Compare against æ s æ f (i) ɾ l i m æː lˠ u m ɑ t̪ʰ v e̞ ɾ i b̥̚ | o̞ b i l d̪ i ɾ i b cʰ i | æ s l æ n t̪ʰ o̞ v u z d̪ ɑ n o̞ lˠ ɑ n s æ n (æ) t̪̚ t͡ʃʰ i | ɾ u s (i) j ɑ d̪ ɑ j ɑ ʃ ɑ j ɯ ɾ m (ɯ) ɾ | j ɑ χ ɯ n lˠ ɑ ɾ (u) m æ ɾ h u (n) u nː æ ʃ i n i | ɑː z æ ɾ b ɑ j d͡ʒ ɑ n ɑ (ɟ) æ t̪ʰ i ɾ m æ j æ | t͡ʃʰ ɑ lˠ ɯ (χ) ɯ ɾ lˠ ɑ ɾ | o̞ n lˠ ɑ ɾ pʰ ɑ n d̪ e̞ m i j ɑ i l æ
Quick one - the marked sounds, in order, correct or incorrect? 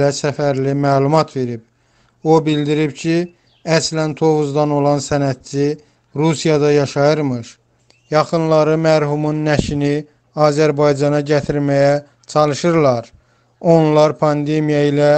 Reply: incorrect: æ, correct, correct, correct, incorrect: ɯ, incorrect: m, correct, incorrect: ʃ

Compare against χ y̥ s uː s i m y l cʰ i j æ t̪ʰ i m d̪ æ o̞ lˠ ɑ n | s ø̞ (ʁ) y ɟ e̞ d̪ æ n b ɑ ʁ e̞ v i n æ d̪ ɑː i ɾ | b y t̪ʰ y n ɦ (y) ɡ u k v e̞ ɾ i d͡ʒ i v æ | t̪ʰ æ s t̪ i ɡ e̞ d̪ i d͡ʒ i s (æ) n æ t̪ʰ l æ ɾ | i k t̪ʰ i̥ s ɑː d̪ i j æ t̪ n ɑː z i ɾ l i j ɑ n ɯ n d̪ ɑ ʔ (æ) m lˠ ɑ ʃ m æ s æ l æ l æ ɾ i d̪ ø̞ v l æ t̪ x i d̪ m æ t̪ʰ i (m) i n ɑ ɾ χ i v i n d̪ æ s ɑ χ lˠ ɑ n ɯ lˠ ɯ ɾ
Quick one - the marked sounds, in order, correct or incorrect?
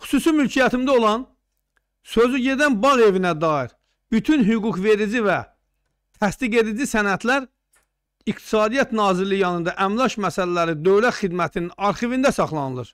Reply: incorrect: z, correct, correct, correct, incorrect: n

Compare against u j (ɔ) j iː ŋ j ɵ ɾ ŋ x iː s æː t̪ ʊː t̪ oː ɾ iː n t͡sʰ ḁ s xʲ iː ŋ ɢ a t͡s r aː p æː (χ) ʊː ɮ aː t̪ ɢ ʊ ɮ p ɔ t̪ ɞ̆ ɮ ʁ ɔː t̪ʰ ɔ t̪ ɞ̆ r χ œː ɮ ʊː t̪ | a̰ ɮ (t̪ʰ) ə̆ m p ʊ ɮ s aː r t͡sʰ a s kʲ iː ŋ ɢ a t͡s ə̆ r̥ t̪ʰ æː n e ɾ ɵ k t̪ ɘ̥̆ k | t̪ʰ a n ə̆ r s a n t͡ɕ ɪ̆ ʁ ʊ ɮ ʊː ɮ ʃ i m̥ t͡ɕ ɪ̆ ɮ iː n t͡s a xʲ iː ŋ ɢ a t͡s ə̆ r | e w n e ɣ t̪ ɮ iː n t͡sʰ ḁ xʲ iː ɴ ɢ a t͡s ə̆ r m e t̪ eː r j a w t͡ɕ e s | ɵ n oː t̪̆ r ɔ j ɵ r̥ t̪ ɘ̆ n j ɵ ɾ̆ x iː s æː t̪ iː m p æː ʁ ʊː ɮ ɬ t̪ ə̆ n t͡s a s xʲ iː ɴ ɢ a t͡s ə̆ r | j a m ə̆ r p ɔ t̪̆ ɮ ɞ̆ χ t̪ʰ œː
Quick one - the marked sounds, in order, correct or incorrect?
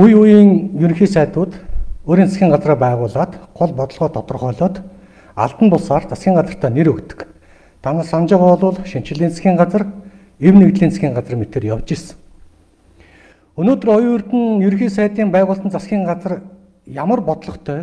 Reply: incorrect: u, incorrect: ʁ, incorrect: t̪

